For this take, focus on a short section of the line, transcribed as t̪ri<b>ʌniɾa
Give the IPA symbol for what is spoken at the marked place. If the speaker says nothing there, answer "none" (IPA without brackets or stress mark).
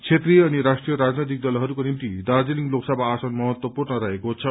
none